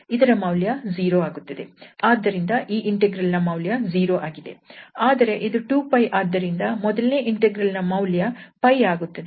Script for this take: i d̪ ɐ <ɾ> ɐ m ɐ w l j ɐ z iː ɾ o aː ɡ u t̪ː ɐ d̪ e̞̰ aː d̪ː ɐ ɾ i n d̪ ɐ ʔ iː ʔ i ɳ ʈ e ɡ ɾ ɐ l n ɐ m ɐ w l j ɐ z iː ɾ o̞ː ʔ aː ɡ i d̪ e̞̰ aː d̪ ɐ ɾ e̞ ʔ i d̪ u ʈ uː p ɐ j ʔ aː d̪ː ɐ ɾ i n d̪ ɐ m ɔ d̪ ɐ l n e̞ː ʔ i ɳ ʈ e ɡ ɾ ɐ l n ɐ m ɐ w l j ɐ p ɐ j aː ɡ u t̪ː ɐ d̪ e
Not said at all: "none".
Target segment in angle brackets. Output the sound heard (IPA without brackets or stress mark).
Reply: ɾ